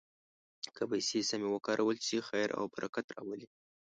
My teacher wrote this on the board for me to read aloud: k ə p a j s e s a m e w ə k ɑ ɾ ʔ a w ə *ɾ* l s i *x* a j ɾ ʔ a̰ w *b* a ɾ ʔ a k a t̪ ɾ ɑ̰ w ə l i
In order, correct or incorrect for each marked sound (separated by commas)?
incorrect, correct, correct